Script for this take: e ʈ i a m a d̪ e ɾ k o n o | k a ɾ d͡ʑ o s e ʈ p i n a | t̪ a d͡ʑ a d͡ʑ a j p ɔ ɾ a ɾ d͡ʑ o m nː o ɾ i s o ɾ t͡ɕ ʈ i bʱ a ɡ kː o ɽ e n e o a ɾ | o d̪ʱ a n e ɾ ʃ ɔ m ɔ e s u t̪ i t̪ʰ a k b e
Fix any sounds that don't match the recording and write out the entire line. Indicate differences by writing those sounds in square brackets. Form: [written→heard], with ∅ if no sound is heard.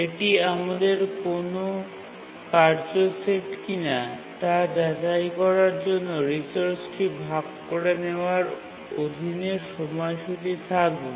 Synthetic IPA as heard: e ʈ i a m a d̪ e ɾ k o n o | k a ɾ d͡ʑ o s e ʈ [p→k] i n a | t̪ a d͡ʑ a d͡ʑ a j [p→k] ɔ ɾ a ɾ d͡ʑ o [m→∅] nː o ɾ i s o ɾ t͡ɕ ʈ i bʱ a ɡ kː o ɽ e n e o a ɾ | o d̪ʱ [a→i] n e ɾ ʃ ɔ m ɔ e [s→ʃ] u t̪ i t̪ʰ a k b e